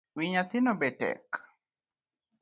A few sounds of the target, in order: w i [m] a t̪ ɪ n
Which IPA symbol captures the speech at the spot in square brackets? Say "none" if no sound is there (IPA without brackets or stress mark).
ɲ